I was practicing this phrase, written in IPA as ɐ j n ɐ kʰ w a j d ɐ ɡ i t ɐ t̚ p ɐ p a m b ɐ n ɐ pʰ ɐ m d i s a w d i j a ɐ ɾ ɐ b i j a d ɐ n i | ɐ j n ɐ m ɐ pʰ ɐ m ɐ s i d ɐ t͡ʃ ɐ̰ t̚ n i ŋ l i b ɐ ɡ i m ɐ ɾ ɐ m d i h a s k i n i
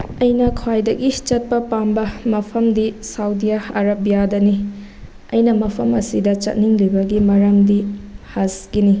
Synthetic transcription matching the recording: ɐ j n ɐ kʰ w a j d ɐ ɡ i t͡ʃ ɐ t̚ p ɐ p a m b ɐ m ɐ pʰ ɐ m d i s a w d i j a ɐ ɾ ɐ b i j a d ɐ n i | ɐ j n ɐ m ɐ pʰ ɐ m ɐ s i d ɐ t͡ʃ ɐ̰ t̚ n i ŋ l i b ɐ ɡ i m ɐ ɾ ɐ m d i h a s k i n i